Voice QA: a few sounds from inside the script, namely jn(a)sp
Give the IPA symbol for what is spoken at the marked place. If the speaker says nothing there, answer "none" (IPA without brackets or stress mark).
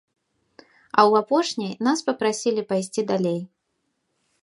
a